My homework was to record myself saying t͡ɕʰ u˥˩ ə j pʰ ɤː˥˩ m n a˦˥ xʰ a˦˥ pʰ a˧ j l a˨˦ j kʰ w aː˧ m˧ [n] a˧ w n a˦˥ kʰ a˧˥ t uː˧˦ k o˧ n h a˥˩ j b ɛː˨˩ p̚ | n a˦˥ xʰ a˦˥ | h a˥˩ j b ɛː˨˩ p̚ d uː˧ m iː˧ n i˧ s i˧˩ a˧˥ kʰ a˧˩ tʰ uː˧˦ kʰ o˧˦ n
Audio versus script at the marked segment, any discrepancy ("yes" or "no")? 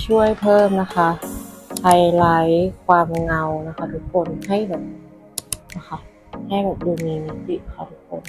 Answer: yes